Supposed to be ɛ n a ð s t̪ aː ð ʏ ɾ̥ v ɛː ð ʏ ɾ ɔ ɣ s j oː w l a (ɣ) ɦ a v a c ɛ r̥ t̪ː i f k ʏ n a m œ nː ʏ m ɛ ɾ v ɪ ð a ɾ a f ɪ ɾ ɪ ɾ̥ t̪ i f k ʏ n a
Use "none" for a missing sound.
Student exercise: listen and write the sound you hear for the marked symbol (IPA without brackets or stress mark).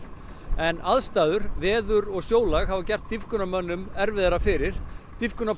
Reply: ɣ